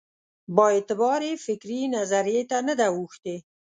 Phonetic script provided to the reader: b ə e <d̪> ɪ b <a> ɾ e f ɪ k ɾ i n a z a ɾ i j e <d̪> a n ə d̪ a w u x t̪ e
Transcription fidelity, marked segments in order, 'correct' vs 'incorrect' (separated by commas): incorrect, incorrect, incorrect